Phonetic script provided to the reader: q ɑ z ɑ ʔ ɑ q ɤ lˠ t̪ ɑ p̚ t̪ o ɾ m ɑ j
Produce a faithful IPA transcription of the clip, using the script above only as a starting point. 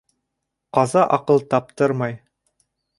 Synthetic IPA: q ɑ z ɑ ʔ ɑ q ɤ lˠ t̪ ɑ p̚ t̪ ɤ ɾ m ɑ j